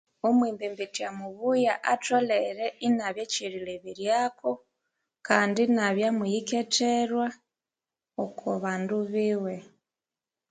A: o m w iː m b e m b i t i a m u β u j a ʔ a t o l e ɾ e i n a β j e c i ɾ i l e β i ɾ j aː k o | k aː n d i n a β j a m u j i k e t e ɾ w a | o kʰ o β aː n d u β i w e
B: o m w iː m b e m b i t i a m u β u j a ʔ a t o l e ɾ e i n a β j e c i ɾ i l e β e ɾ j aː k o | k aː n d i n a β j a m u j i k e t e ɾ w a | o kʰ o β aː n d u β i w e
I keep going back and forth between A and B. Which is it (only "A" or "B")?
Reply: A